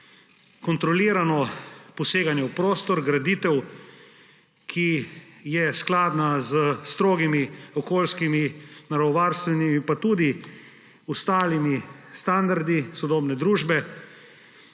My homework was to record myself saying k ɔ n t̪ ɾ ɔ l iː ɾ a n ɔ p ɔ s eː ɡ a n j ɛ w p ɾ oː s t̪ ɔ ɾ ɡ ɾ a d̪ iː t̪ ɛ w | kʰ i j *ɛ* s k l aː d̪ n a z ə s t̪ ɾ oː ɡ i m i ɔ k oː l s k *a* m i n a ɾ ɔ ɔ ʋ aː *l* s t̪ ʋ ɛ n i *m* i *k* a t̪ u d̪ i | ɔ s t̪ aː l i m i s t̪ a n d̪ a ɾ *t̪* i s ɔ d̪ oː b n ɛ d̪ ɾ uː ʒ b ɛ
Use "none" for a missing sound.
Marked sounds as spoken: ɛ, i, ɾ, m, p, d̪

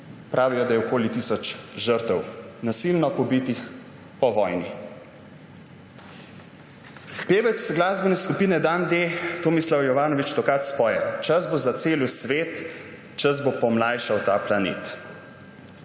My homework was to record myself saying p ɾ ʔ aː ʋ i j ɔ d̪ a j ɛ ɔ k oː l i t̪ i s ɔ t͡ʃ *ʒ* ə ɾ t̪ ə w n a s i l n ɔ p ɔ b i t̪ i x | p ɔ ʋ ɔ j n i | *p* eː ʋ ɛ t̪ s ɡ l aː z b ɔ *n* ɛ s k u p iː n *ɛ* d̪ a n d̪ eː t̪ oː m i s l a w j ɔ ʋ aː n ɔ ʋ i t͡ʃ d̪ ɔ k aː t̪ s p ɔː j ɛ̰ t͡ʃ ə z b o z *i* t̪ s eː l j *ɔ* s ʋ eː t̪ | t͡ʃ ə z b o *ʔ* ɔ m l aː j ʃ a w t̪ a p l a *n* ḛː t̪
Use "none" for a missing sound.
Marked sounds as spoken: ʒ, p, n, ɛ, a, u, p, n

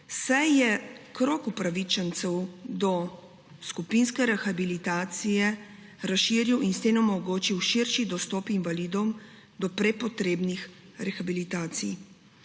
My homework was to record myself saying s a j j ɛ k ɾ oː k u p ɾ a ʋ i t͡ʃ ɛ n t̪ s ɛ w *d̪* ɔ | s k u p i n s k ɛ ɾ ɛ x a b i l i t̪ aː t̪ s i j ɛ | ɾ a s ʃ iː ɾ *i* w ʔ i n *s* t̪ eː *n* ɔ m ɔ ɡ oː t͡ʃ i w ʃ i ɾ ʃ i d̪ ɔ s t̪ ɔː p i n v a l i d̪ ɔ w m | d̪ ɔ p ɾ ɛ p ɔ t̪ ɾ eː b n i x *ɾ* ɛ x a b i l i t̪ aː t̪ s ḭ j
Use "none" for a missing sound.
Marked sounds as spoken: d̪, i, s, n, ɾ

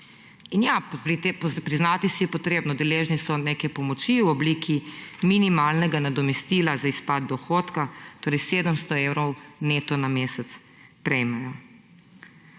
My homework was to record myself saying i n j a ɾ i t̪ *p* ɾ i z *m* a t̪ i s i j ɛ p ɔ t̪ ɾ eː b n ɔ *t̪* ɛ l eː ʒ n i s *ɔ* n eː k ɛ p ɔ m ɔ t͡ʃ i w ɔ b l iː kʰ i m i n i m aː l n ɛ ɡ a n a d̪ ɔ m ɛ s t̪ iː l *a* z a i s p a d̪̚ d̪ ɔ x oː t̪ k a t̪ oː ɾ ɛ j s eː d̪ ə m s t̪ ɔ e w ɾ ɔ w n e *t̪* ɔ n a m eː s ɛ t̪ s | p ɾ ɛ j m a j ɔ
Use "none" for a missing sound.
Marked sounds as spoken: p, n, d̪, ɔ, a, t̪

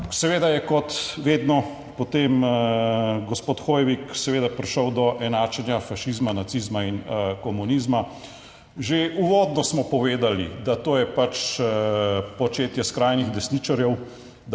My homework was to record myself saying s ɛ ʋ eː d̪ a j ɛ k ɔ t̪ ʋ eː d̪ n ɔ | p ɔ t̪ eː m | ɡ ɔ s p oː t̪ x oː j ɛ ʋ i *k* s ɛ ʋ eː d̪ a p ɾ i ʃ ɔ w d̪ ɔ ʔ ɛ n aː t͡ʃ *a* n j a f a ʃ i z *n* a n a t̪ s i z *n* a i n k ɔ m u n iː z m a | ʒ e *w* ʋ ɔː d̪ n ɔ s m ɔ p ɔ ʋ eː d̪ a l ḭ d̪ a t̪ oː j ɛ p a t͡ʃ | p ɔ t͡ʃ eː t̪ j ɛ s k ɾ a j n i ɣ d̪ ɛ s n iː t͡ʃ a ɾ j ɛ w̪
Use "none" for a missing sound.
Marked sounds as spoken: k, ɛ, m, m, u

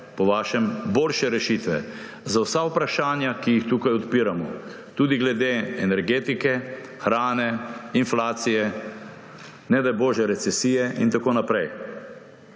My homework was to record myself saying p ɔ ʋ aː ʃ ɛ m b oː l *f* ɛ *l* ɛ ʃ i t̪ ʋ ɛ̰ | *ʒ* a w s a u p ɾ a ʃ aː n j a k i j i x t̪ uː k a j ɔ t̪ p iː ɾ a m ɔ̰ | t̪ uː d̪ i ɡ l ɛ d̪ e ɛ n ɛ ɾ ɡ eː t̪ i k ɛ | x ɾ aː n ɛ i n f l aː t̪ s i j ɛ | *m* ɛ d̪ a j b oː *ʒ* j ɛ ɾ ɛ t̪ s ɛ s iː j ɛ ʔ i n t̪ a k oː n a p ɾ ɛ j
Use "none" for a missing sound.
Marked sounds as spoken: ʃ, ɾ, z, n, ʒ

